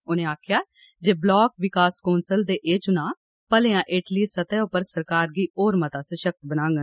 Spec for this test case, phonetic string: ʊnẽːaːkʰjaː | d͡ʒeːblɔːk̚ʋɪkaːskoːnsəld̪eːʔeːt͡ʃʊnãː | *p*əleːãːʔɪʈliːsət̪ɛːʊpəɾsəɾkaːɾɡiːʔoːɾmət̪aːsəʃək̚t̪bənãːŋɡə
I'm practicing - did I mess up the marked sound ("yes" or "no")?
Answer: no